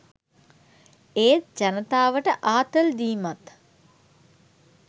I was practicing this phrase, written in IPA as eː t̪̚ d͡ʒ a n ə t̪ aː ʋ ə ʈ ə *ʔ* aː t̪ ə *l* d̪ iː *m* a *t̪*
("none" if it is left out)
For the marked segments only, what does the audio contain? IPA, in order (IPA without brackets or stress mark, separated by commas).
ʔ, l, m, t̪